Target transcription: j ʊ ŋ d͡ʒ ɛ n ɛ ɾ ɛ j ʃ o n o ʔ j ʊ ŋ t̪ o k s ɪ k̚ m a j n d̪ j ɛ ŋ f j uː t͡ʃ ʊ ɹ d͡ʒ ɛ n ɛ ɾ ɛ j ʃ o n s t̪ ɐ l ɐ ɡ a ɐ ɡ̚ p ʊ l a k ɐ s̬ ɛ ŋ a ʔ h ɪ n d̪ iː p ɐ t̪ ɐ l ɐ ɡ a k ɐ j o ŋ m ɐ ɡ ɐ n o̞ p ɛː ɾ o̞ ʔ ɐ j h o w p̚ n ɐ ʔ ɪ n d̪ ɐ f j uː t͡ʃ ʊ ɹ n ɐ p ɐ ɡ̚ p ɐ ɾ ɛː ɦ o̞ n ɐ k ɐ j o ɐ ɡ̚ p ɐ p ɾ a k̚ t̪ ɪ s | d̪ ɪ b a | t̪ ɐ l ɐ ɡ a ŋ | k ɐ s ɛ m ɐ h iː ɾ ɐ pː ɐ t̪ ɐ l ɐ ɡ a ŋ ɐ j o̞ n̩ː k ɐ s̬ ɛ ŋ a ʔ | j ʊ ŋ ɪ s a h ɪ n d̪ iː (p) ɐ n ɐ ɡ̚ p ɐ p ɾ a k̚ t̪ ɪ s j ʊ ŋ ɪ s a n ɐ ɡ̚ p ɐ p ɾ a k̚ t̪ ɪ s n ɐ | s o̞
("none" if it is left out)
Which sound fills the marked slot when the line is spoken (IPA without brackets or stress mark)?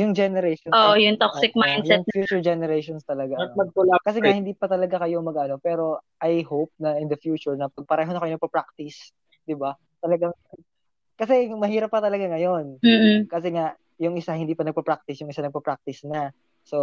p